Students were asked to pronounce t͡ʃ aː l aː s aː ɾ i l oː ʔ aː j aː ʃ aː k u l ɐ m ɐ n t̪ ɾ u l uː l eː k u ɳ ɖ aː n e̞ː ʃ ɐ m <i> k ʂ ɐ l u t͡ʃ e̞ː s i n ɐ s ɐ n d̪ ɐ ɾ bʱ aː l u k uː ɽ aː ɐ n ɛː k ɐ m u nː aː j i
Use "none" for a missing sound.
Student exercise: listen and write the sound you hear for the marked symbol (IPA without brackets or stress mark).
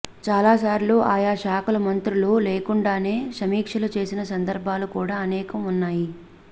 iː